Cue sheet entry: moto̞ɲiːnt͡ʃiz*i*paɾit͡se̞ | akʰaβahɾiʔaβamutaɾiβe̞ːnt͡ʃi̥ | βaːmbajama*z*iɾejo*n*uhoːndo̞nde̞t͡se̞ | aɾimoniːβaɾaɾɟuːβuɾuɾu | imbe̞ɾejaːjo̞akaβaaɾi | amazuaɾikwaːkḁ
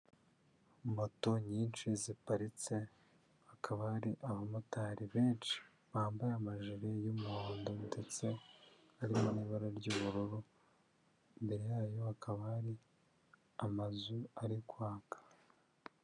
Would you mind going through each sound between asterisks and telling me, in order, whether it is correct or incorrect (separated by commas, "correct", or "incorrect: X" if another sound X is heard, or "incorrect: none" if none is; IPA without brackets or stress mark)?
correct, incorrect: ʒ, incorrect: m